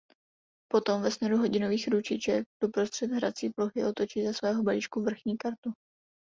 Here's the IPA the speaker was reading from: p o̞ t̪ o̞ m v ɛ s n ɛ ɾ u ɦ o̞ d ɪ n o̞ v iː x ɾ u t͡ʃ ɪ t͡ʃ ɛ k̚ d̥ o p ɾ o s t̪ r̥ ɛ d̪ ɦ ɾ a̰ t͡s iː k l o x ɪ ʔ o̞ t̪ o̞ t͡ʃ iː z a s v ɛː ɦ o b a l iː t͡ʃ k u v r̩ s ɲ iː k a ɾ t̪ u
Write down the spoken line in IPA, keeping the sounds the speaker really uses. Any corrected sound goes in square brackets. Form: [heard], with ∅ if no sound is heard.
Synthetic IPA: p o̞ t̪ o̞ m v ɛ s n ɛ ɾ u ɦ o̞ [ɟ] ɪ n o̞ v iː x ɾ u t͡ʃ ɪ t͡ʃ ɛ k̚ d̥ o p ɾ o s t̪ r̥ ɛ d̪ ɦ ɾ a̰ t͡s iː [p] l o x ɪ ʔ o̞ t̪ o̞ t͡ʃ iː z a s v ɛː ɦ o b a l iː t͡ʃ k u v r̩ [x] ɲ iː k a ɾ t̪ u